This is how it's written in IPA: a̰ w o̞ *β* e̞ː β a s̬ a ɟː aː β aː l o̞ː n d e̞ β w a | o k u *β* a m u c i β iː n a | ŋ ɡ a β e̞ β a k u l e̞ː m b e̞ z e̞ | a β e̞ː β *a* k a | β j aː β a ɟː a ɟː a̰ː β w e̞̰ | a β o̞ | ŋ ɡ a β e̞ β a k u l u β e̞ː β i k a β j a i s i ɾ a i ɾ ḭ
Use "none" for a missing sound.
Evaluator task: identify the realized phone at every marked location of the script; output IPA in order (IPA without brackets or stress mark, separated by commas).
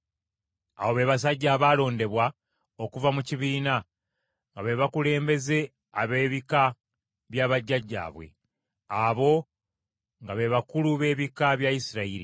β, v, i